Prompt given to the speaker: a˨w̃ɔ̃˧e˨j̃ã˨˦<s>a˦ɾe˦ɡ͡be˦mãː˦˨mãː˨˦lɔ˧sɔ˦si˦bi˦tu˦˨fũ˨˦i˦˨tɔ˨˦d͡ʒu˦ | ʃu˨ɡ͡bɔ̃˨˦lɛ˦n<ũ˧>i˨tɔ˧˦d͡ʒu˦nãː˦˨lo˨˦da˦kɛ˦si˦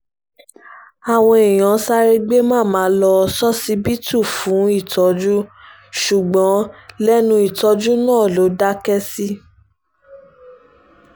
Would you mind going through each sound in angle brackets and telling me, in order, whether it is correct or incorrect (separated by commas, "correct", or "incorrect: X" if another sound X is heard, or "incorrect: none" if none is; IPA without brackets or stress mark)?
correct, correct